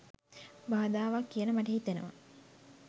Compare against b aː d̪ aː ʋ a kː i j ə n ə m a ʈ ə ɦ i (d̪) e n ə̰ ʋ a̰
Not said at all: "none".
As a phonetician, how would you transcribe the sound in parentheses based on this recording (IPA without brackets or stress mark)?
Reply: t̪